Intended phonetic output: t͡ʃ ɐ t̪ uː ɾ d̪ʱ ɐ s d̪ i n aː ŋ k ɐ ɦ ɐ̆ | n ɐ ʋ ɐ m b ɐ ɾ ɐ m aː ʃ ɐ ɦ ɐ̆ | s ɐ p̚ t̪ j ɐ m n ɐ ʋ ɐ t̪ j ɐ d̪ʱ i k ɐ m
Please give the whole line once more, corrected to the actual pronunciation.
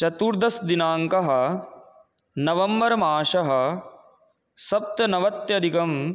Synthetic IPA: t͡ʃ ɐ t̪ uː ɾ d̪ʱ ɐ s d̪ i n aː ŋ k ɐ ɦ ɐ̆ | n ɐ ʋ ɐ m b ɐ ɾ ɐ m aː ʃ ɐ ɦ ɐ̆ | s ɐ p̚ t̪ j ɐ n ɐ ʋ ɐ t̪ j ɐ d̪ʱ i k ɐ m